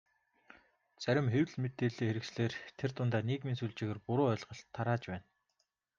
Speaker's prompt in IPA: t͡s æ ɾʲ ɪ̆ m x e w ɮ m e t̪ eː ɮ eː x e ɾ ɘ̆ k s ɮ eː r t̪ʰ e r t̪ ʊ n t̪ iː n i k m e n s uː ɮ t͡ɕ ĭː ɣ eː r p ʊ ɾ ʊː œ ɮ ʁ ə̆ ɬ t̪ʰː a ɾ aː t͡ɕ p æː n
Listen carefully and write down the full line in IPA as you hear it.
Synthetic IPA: t͡s æ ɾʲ ɪ̆ m x e w ɮ m e t̪ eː ɮ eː x e ɾ ɘ̆ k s ɮ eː r t̪ʰ e r t̪ ʊ n t̪ aː n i k m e n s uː ɮ t͡ɕ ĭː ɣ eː r p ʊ ɾ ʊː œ ɮ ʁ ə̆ ɬ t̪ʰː a ɾ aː t͡ɕ p æː n